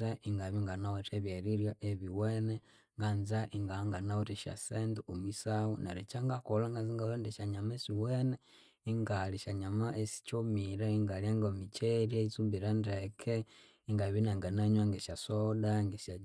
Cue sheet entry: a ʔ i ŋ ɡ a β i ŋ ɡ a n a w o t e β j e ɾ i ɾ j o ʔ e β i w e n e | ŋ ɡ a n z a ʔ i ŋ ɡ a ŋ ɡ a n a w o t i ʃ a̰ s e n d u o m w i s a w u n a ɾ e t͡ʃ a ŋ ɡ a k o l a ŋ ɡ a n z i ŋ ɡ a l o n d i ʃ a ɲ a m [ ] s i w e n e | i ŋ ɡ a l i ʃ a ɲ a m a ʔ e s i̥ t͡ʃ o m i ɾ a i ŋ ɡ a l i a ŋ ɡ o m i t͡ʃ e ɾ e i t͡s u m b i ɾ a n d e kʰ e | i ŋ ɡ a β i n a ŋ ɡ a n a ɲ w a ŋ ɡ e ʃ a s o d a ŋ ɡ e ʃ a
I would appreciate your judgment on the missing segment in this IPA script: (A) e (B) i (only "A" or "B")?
A